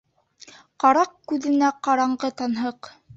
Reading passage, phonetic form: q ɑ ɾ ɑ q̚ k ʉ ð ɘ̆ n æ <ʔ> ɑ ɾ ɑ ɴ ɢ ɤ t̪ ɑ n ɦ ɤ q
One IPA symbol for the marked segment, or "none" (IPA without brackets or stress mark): q